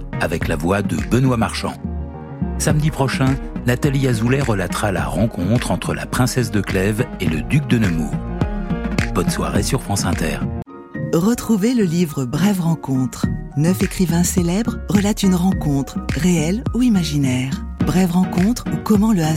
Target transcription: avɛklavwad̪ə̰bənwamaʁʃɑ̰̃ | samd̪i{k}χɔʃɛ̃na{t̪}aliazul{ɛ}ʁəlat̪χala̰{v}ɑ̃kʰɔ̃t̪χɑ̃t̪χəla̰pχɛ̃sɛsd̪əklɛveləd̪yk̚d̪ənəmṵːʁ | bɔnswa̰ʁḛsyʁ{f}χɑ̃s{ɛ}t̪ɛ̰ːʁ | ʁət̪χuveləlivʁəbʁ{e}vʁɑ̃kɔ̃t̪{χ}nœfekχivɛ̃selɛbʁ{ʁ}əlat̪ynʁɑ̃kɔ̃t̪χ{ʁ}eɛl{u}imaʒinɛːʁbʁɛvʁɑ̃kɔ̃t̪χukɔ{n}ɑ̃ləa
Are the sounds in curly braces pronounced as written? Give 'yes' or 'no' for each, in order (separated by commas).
no, yes, yes, no, yes, no, no, yes, yes, yes, yes, no